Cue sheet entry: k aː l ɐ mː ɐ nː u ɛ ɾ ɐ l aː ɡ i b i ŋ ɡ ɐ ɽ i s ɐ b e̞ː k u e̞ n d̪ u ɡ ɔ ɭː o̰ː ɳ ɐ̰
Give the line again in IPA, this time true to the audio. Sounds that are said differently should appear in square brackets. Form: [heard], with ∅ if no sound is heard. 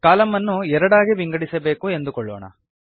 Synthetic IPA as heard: k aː l ɐ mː ɐ nː u ɛ ɾ ɐ [ɽ] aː ɡ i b i ŋ ɡ ɐ ɽ i s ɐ b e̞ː k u e̞ n d̪ u [k] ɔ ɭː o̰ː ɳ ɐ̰